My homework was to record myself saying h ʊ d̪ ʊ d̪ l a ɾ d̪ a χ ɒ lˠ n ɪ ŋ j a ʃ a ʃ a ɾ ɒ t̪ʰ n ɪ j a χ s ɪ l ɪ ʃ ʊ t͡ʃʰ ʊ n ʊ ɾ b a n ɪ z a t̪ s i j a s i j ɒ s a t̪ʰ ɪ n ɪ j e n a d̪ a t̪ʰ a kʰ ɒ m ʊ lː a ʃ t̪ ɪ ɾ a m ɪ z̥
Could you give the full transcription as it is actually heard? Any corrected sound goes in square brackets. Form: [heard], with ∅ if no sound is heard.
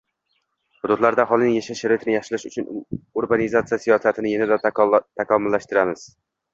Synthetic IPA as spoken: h ʊ d̪ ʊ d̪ l a ɾ d̪ a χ ɒ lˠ n ɪ ŋ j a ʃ a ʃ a ɾ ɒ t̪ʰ n ɪ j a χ [ʃ] ɪ l ɪ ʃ ʊ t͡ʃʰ ʊ n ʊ ɾ b a n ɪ z a t̪ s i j a s i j ɒ s a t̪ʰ ɪ n ɪ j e n a d̪ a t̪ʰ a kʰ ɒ m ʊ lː a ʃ t̪ ɪ ɾ a m ɪ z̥

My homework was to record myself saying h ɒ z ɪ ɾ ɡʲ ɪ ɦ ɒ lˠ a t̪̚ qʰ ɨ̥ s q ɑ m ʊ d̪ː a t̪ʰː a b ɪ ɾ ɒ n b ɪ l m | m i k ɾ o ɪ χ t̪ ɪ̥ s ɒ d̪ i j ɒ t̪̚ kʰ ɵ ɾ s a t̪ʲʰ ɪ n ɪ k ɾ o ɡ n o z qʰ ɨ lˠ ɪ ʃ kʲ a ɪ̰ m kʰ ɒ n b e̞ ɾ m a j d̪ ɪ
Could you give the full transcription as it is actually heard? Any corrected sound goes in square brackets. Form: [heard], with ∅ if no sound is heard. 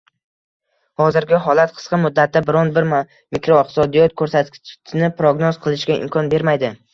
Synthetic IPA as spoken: h ɒ z ɪ ɾ ɡʲ ɪ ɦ ɒ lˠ a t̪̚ qʰ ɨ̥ s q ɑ m ʊ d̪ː a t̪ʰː a b ɪ ɾ ɒ n b ɪ [ɾ] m | m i k ɾ o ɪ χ t̪ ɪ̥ s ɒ d̪ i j ɒ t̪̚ kʰ ɵ ɾ s a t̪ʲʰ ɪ n ɪ [p] ɾ o ɡ n o z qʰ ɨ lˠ ɪ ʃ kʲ a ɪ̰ m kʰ ɒ n b e̞ ɾ m a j d̪ ɪ

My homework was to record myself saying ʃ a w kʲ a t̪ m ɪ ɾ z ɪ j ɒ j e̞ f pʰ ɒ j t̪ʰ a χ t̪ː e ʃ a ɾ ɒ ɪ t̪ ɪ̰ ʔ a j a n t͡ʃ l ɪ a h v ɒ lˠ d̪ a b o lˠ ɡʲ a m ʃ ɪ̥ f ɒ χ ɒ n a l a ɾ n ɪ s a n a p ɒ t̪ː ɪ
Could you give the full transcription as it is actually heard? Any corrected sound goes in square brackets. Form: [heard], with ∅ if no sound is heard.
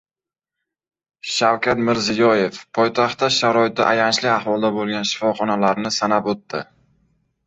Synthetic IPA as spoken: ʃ a w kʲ a t̪ m ɪ ɾ z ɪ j ɒ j e̞ f pʰ ɒ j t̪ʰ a χ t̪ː [a] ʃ a ɾ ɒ ɪ t̪ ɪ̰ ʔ a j a n t͡ʃ l ɪ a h v ɒ lˠ d̪ a b o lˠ ɡʲ a [n] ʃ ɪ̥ f ɒ χ ɒ n a l a ɾ n ɪ s a n a p [o] t̪ː ɪ

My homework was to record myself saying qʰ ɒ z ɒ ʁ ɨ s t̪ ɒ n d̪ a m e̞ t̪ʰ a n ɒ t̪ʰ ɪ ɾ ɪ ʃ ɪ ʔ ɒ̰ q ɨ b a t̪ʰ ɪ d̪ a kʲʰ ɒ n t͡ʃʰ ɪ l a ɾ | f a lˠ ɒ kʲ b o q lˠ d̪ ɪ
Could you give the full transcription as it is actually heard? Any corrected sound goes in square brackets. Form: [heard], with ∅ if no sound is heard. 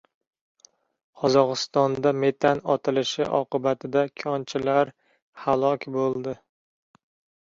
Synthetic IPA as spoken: qʰ ɒ z ɒ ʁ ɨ s t̪ ɒ n d̪ a m e̞ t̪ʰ a n ɒ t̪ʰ ɪ [l] ɪ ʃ ɪ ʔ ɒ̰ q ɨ b a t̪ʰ ɪ d̪ a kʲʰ ɒ n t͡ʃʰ ɪ l a ɾ | [h] a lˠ ɒ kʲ b o [∅] lˠ d̪ ɪ

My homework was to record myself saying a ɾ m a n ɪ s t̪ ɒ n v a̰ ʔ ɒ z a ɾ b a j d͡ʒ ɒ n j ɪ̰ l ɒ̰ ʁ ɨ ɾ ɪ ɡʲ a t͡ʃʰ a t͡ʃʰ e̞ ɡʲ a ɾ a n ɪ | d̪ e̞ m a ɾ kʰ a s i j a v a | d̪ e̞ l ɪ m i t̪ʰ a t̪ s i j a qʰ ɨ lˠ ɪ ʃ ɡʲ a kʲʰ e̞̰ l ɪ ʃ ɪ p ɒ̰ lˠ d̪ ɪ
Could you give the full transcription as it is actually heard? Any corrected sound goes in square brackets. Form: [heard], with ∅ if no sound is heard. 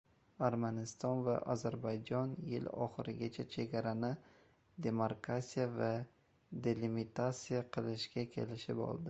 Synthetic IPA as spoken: a ɾ m a n ɪ s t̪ ɒ n v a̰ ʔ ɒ z a ɾ b a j d͡ʒ ɒ n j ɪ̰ l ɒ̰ [χ] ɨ ɾ ɪ ɡʲ a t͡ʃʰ a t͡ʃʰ e̞ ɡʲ a ɾ a n ɪ | d̪ e̞ m a ɾ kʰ a s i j a v a | d̪ e̞ l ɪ m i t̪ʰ a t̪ s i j a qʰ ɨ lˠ ɪ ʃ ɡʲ a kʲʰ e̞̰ l ɪ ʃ ɪ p ɒ̰ lˠ d̪ ɪ

